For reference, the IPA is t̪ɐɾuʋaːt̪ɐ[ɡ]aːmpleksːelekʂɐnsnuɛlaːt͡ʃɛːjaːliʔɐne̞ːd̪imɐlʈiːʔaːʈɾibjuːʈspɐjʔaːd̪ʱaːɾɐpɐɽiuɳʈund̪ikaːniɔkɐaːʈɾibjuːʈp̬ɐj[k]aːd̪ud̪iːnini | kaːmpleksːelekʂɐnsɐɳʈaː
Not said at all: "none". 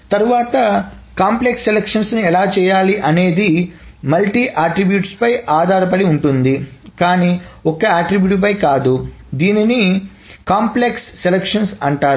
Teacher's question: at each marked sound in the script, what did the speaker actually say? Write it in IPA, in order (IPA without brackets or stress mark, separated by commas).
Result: k, k